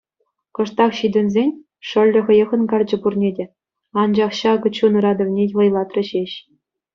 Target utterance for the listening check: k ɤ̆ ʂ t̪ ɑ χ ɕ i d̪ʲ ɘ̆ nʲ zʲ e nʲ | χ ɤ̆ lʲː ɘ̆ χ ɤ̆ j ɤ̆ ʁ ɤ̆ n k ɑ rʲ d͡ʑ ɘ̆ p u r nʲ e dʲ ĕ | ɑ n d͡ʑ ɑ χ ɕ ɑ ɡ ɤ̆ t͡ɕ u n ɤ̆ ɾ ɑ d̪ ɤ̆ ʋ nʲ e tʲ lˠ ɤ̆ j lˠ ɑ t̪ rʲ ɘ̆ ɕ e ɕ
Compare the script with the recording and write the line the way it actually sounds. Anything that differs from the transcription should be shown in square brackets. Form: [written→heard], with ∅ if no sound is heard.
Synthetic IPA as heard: k ɤ̆ ʂ t̪ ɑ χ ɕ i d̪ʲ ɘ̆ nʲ zʲ e nʲ | [χ→ʂ] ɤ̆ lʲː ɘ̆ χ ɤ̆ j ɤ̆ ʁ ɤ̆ n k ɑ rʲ d͡ʑ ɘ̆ p u r nʲ e dʲ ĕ | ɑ n d͡ʑ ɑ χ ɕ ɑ ɡ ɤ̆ t͡ɕ u n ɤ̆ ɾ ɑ d̪ ɤ̆ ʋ nʲ e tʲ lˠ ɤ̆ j lˠ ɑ t̪ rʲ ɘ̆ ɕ e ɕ